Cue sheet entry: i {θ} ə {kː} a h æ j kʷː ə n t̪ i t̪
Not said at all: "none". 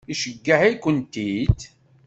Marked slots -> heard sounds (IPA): ʃ, ɡː

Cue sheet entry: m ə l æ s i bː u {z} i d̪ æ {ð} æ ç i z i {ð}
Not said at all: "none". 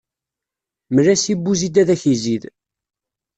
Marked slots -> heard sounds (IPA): z, ð, ð

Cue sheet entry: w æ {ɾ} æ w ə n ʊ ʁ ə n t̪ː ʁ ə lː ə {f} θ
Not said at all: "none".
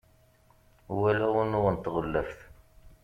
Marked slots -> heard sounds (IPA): l, f

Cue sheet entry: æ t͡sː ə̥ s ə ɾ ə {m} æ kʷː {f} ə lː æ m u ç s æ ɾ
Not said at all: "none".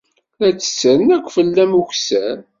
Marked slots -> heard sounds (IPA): n, f

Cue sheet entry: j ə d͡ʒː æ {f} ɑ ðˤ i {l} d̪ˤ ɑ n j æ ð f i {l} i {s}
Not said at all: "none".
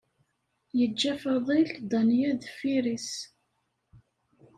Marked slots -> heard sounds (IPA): f, l, ɾ, s

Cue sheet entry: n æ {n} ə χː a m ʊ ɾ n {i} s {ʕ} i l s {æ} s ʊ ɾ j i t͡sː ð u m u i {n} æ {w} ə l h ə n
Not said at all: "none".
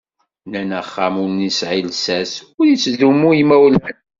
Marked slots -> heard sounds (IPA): n, i, ʕ, æ, m, w

